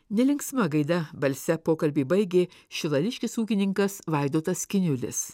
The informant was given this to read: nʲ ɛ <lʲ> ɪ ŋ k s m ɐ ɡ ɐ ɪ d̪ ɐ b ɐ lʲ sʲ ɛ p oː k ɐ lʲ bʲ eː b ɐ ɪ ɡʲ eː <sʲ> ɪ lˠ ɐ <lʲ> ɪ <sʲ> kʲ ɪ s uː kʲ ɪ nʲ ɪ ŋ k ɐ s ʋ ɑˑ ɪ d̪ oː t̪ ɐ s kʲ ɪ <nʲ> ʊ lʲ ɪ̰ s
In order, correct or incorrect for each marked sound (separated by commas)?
correct, incorrect, correct, incorrect, correct